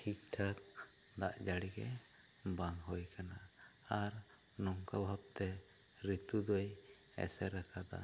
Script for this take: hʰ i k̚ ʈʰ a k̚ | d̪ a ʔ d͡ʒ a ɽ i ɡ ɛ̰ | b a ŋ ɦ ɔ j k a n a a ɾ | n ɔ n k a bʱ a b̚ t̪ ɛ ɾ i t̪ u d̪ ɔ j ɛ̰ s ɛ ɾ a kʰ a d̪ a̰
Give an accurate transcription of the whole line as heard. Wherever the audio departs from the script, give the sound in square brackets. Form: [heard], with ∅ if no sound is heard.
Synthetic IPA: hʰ i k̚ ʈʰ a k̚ | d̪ a ʔ d͡ʒ a ɽ i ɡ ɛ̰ | b a ŋ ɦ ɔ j k a n a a ɾ | n ɔ [ŋ] k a bʱ a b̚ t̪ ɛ ɾ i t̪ u d̪ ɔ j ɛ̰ s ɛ ɾ a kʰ a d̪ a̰